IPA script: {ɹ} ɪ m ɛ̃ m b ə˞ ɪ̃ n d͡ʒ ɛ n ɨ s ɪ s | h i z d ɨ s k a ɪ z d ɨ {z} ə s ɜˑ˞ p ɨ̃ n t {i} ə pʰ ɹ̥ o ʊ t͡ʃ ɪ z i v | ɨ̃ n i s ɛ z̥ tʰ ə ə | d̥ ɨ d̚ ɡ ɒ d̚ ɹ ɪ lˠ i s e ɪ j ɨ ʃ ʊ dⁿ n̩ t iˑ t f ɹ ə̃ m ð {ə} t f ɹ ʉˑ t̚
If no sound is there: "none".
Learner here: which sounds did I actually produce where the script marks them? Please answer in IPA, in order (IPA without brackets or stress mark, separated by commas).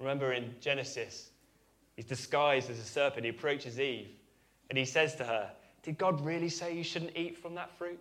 ɹ, z, i, ə